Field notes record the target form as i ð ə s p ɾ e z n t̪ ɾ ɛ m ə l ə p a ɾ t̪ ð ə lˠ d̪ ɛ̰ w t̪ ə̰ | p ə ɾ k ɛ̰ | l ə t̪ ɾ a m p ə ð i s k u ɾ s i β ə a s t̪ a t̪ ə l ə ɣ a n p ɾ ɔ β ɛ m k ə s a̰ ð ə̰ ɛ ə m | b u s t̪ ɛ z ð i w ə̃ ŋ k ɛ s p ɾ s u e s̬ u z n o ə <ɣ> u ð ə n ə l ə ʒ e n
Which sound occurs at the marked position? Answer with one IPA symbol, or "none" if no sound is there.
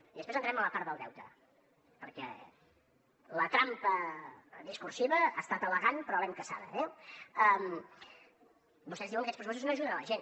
ʒ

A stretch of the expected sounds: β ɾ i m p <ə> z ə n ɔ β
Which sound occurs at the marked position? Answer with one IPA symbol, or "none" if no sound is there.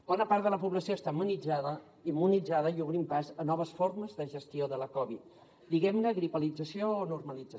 a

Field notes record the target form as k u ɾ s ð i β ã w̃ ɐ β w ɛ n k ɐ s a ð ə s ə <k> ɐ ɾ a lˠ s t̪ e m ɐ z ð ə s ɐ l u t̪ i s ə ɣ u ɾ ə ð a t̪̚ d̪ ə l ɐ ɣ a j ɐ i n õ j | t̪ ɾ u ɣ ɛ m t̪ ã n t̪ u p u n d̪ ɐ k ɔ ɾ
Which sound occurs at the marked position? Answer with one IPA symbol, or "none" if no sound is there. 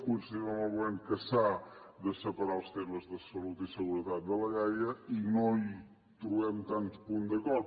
p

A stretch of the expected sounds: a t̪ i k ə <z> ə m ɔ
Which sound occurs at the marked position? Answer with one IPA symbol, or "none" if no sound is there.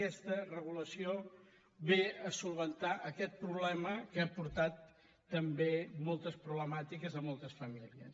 z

